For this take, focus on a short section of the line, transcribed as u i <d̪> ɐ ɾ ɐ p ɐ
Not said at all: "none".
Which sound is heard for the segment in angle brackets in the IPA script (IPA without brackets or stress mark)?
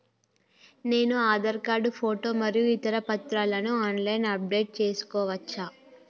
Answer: t̪